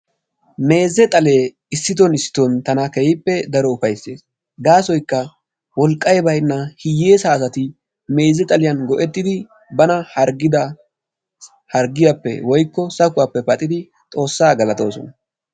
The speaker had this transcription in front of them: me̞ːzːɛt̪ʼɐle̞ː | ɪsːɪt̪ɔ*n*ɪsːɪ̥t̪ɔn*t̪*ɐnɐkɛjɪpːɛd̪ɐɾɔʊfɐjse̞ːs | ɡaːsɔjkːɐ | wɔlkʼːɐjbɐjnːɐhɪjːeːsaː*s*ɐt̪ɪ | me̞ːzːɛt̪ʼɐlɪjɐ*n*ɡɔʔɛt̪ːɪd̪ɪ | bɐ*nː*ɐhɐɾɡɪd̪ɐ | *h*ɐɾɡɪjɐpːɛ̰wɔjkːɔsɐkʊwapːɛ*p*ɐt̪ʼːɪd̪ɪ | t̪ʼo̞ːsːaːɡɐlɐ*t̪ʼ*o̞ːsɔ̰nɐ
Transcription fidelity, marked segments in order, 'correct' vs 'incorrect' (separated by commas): correct, correct, correct, correct, incorrect, correct, correct, incorrect